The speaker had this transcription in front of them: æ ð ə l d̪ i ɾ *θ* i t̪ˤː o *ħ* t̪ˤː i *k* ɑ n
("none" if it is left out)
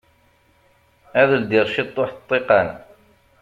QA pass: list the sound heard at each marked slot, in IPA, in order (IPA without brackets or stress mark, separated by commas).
ʃ, ħ, q